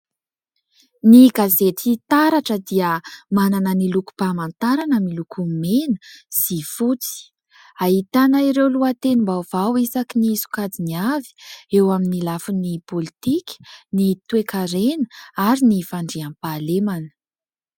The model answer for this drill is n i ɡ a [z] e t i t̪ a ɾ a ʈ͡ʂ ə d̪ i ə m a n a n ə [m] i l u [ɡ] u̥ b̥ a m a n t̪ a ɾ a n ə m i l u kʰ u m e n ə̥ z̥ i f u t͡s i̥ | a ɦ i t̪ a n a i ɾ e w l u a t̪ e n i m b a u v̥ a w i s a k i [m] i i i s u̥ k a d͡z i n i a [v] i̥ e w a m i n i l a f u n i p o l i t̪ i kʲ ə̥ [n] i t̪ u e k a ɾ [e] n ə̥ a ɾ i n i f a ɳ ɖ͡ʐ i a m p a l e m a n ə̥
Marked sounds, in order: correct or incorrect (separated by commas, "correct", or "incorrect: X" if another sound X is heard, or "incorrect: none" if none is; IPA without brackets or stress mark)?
correct, incorrect: n, incorrect: k, incorrect: n, correct, correct, correct